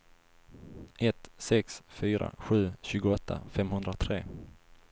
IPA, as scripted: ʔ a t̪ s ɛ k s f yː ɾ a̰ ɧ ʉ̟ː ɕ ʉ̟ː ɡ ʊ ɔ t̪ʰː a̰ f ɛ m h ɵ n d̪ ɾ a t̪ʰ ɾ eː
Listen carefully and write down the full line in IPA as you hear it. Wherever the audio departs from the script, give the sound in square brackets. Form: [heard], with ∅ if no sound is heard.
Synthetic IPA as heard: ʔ [ɛ] t̪ s ɛ k s f yː ɾ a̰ ɧ ʉ̟ː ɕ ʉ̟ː ɡ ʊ ɔ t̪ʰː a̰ f ɛ m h ɵ n d̪ ɾ a t̪ʰ ɾ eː